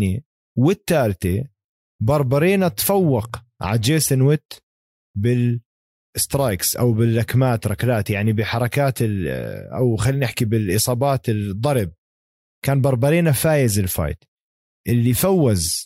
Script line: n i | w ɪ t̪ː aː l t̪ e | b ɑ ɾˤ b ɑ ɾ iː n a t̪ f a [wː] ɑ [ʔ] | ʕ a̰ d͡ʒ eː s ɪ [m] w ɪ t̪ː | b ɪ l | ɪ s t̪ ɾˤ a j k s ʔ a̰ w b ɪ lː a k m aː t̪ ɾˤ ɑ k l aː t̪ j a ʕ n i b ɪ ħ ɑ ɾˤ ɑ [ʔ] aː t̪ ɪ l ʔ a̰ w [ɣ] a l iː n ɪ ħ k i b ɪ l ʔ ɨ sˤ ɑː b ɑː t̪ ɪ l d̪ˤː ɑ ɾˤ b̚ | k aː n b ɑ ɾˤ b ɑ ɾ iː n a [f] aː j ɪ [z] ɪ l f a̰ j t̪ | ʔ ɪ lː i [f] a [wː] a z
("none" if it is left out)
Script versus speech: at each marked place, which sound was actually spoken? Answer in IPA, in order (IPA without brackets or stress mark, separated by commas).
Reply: wː, q, n, k, x, f, z, f, wː